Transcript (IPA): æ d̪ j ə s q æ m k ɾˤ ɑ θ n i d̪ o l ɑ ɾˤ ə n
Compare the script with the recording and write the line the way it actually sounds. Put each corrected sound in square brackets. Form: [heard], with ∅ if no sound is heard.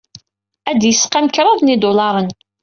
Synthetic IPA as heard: æ d̪ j ə s q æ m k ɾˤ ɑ [ð] n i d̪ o l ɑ ɾˤ ə n